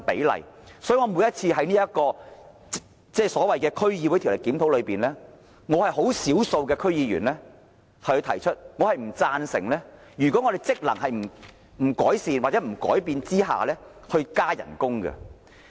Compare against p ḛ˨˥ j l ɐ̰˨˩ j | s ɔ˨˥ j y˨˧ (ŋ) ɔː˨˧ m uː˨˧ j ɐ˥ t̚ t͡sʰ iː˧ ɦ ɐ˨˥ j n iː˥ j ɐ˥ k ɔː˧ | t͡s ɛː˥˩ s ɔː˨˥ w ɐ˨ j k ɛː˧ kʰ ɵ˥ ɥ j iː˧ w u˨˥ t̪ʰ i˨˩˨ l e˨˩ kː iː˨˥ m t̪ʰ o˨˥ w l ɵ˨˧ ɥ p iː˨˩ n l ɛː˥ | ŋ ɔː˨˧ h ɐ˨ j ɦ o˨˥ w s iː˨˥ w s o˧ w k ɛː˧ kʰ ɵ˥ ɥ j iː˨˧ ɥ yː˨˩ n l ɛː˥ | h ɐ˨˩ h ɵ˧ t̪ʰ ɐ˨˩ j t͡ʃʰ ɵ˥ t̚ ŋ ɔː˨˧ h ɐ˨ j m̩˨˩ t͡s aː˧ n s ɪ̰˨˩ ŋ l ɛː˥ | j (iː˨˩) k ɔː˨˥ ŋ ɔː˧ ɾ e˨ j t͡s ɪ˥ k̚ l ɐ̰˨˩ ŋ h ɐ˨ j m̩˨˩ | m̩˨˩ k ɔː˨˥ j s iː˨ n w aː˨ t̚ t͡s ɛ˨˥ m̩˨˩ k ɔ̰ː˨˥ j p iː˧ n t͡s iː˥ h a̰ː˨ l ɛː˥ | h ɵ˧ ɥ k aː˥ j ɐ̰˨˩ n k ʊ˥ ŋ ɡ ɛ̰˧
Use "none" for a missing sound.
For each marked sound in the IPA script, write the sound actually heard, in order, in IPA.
ŋ, yː˨˩

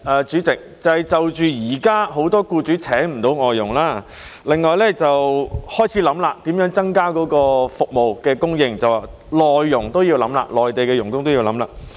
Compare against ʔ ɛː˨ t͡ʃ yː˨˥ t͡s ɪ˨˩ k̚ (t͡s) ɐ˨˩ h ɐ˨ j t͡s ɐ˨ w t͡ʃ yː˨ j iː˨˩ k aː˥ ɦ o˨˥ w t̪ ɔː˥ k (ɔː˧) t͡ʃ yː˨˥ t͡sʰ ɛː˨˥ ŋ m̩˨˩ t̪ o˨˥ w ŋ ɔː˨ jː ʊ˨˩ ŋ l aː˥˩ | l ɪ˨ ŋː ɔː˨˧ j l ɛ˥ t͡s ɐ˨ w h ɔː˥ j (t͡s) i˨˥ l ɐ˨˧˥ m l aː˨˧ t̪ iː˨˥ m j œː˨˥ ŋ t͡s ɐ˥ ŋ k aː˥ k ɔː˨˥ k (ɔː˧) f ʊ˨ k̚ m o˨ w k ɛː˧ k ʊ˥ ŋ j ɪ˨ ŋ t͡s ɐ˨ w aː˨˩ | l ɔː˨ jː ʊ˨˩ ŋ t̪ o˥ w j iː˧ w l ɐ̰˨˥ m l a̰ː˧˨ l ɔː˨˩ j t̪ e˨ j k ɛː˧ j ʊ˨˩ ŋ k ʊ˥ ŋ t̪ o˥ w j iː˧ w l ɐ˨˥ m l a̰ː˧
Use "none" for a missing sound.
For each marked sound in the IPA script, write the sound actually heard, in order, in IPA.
t͡s, uː˧, t͡sʰ, ɔː˧

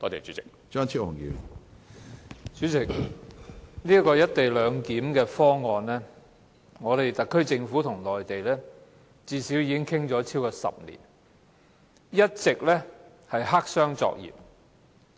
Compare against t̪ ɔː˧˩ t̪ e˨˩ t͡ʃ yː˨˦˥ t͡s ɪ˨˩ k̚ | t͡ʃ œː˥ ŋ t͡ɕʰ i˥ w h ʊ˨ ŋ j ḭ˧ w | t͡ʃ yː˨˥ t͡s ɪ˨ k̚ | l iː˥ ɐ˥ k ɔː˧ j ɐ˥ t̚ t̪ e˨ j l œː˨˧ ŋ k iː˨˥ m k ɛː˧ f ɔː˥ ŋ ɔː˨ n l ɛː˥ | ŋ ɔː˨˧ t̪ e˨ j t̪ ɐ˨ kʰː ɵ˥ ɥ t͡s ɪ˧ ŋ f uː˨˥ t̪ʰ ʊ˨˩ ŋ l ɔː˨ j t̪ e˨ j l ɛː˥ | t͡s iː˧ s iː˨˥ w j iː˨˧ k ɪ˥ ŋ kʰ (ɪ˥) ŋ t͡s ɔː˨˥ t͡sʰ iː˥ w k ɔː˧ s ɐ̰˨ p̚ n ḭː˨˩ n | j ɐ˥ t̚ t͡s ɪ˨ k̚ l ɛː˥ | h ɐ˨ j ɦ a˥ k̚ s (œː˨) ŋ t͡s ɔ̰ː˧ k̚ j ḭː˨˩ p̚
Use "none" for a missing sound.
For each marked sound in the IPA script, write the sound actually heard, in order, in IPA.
ɪ˥, œː˥

